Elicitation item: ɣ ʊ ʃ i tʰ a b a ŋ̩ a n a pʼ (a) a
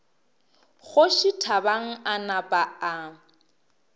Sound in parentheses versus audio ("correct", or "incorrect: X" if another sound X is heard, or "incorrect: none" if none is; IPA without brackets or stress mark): correct